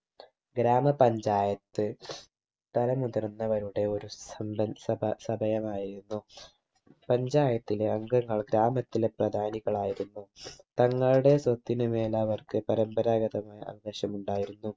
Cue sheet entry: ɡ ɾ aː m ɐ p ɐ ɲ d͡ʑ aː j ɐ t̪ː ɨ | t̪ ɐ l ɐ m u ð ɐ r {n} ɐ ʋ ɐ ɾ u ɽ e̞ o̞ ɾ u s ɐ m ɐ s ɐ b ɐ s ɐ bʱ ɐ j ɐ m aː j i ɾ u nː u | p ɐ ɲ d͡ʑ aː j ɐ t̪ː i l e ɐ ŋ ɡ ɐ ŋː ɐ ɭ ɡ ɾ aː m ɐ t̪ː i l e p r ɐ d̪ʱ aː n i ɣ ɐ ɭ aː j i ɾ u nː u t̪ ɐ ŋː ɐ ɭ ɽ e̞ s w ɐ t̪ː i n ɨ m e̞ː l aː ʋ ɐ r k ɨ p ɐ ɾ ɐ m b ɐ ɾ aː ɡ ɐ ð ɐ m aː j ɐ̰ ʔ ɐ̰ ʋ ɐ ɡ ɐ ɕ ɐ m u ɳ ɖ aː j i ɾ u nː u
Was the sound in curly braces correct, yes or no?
no